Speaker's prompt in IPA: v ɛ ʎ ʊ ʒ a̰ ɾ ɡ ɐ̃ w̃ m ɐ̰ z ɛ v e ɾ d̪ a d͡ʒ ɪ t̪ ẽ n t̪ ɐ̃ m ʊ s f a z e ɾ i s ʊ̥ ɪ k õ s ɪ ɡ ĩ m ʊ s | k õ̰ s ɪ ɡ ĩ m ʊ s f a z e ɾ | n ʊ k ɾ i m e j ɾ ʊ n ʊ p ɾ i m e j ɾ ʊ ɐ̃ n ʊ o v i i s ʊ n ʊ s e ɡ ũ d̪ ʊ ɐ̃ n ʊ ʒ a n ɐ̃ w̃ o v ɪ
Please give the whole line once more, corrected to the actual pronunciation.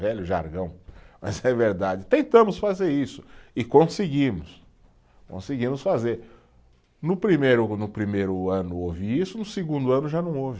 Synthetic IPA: v ɛ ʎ ʊ ʒ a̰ ɾ ɡ ɐ̃ w̃ m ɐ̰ z ɛ v e ɾ d̪ a d͡ʒ ɪ t̪ ẽ n t̪ ɐ̃ m ʊ s f a z e ɾ i s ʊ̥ ɪ k õ s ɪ ɡ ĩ m ʊ s | k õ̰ s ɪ ɡ ĩ m ʊ s f a z e ɾ | n ʊ p ɾ i m e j ɾ ʊ n ʊ p ɾ i m e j ɾ ʊ ɐ̃ n ʊ o v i i s ʊ n ʊ s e ɡ ũ d̪ ʊ ɐ̃ n ʊ ʒ a n ɐ̃ w̃ o v ɪ

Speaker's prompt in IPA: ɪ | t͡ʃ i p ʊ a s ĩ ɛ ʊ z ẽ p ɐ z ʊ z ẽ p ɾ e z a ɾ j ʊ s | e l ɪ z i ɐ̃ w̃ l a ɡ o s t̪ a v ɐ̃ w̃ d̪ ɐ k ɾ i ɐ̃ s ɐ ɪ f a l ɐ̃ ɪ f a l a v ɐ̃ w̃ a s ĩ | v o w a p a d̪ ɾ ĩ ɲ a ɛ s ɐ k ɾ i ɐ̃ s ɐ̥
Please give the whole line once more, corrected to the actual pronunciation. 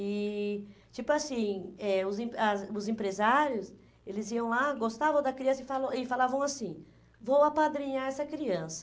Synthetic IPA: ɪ | t͡ʃ i p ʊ a s ĩ ɛ ʊ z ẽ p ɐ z ʊ z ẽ p ɾ e z a ɾ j ʊ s | e l ɪ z i ɐ̃ w̃ l a ɡ o s t̪ a v ɐ̃ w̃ d̪ ɐ k ɾ i ɐ̃ s ɐ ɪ f a l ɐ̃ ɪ f a l a v ɐ̃ w̃ a s ĩ | v o w a p a d̪ ɾ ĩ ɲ a ɛ s ɐ k ɾ i ɐ̃ s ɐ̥

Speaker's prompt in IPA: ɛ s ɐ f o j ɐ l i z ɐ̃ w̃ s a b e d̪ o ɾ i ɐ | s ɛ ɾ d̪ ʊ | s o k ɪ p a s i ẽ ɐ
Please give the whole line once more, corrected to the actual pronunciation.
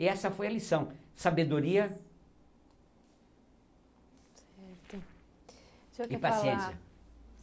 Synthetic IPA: ɛ s ɐ f o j ɐ l i s ɐ̃ w̃ s a b e d̪ o ɾ i ɐ | s ɛ ɾ t̪ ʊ | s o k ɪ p a s i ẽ ɐ

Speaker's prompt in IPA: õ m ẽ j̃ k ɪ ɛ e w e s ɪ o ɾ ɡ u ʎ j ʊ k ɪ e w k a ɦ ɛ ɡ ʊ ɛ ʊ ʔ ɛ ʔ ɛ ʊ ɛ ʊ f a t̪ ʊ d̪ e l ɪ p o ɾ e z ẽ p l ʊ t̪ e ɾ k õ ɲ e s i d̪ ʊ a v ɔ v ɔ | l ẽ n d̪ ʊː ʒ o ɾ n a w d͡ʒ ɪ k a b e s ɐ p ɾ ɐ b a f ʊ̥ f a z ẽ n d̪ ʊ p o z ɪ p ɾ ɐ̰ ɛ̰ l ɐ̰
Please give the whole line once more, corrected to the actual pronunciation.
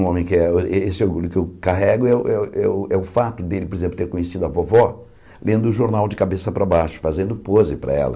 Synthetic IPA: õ m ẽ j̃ k ɪ ɛ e e s ɪ o ɾ ɡ u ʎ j ʊ k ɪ e w k a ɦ ɛ ɡ ʊ ɛ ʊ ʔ ɛ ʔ ɛ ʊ ɛ ʊ f a t̪ ʊ d̪ e l ɪ p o ɾ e z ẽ p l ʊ t̪ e ɾ k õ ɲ e s i d̪ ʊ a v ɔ v ɔ | l ẽ n d̪ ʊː ʒ o ɾ n a w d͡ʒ ɪ k a b e s ɐ p ɾ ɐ b a ʃ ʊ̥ f a z ẽ n d̪ ʊ p o z ɪ p ɾ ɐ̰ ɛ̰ l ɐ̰

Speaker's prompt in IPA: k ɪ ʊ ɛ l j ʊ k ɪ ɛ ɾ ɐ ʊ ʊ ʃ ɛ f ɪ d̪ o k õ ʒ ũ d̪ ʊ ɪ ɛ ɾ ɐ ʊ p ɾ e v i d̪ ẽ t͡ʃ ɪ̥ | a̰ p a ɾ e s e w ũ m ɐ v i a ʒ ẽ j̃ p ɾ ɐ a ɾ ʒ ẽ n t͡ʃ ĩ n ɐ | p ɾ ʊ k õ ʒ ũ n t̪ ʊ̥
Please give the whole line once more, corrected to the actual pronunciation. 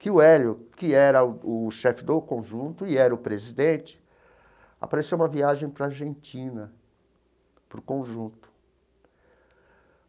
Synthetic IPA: k ɪ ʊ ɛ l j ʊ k ɪ ɛ ɾ ɐ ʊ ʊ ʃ ɛ f ɪ d̪ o k õ ʒ ũ t̪ ʊ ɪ ɛ ɾ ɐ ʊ p ɾ e z i d̪ ẽ t͡ʃ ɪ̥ | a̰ p a ɾ e s e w ũ m ɐ v i a ʒ ẽ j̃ p ɾ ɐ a ɾ ʒ ẽ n t͡ʃ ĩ n ɐ | p ɾ ʊ k õ ʒ ũ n t̪ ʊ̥

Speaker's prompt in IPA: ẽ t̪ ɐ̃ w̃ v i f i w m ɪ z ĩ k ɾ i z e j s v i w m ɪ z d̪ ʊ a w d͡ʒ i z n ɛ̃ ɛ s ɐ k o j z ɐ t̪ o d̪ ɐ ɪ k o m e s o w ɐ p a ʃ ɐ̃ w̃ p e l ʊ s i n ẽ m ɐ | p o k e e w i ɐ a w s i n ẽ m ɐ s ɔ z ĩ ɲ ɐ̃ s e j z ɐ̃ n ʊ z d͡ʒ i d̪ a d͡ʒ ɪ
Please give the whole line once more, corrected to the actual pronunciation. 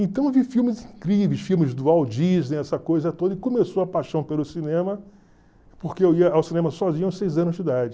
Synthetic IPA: ẽ t̪ ɐ̃ w̃ v i f i w m ɪ z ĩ k ɾ i v e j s f i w m ɪ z d̪ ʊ a w d͡ʒ i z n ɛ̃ ɛ s ɐ k o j z ɐ t̪ o d̪ ɐ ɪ k o m e s o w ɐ p a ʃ ɐ̃ w̃ p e l ʊ s i n ẽ m ɐ | p o k e e w i ɐ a w s i n ẽ m ɐ s ɔ z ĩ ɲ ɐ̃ s e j z ɐ̃ n ʊ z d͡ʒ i d̪ a d͡ʒ ɪ

